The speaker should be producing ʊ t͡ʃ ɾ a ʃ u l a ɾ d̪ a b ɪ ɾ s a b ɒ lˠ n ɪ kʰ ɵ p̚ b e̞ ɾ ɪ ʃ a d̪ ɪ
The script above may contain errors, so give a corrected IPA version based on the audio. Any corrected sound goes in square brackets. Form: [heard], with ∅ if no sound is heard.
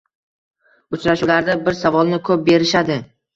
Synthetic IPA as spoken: ʊ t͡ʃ ɾ a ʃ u l a ɾ d̪ a b ɪ ɾ s a [v] ɒ lˠ n ɪ kʰ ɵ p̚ b e̞ ɾ ɪ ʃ a d̪ ɪ